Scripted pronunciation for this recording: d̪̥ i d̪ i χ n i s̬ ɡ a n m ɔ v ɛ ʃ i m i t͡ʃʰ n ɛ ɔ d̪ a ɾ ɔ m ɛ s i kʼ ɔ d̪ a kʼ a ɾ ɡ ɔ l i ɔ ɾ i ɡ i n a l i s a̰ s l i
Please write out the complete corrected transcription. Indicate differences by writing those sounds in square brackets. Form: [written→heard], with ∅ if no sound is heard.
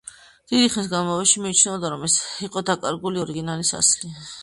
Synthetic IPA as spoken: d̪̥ i d̪ i χ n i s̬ ɡ a n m ɔ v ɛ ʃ i m i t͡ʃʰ n ɛ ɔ d̪ a ɾ ɔ m ɛ s i [kʼ→qʼ] ɔ d̪ a kʼ a ɾ ɡ [ɔ→u] l i ɔ ɾ i ɡ i n a l i s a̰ s l i